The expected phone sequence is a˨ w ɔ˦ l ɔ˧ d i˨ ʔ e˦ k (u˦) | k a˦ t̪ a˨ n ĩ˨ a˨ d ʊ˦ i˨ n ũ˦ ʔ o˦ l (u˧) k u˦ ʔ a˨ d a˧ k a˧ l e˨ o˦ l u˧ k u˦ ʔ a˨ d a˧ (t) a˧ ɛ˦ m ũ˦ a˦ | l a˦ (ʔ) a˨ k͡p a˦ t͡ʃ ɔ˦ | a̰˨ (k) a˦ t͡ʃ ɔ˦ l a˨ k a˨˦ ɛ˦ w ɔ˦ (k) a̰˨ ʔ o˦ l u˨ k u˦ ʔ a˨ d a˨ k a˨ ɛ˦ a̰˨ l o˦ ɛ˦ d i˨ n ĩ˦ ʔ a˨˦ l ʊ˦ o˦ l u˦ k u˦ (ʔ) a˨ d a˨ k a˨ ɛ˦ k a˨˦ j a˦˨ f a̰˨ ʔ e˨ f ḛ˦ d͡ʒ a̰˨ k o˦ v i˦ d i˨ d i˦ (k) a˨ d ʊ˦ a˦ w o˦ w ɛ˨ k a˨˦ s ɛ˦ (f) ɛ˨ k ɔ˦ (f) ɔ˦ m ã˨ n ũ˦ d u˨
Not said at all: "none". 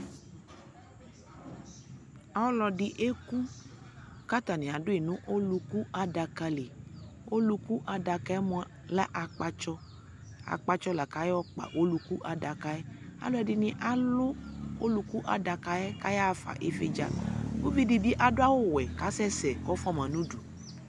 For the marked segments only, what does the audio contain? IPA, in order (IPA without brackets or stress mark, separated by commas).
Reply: u˦, u˧, k, ʔ, k͡p, k͡p, ʔ, ʔ, s, f